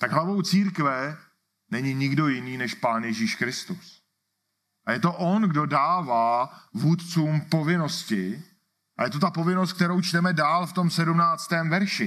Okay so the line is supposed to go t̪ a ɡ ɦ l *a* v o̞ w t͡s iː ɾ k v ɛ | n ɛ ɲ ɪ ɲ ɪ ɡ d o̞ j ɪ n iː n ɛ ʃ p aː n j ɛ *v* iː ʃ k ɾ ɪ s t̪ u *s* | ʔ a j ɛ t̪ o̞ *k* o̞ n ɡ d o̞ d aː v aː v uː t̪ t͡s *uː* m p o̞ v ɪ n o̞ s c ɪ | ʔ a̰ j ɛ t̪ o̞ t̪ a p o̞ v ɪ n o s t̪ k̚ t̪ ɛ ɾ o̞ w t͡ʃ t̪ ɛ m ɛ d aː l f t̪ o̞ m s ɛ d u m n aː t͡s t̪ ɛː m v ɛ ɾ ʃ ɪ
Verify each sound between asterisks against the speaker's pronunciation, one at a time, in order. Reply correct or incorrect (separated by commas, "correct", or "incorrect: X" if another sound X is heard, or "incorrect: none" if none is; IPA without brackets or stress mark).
correct, incorrect: ʒ, correct, incorrect: ʔ, correct